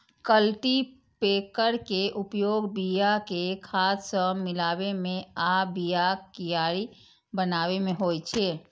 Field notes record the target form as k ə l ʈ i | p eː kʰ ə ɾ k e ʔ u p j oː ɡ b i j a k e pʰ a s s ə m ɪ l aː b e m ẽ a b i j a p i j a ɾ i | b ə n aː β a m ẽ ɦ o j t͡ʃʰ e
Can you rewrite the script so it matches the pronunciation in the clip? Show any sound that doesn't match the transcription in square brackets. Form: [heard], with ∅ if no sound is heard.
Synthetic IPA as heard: k ə l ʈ i | p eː [k] ə ɾ k e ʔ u p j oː ɡ b i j a k e [kʰ] a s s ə m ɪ l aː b e m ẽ a b i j a [k] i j a ɾ i | b ə n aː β [e] m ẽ ɦ o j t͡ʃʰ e